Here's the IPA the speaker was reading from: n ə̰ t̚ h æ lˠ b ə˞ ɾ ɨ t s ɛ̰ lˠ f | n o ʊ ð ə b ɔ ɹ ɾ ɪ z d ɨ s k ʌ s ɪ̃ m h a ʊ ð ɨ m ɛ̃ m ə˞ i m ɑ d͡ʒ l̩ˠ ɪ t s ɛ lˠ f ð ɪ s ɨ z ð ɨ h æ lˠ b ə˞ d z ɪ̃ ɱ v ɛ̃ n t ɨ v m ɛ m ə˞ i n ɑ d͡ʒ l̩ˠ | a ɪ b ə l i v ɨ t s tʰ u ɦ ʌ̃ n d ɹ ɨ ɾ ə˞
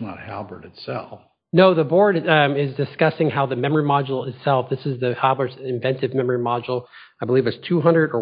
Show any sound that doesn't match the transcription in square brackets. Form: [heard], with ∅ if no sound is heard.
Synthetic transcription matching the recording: n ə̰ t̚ h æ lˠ b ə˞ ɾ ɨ t s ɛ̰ lˠ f | n o ʊ ð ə b ɔ ɹ ɾ ɪ z d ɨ s k ʌ s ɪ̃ [ŋ] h a ʊ ð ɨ m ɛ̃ m ə˞ i m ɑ d͡ʒ l̩ˠ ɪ t s ɛ lˠ f ð ɪ s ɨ z ð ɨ h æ lˠ b ə˞ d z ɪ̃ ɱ v ɛ̃ n t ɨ v m ɛ m ə˞ i [m] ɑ d͡ʒ l̩ˠ | a ɪ b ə l i v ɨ t s tʰ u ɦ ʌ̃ n d ɹ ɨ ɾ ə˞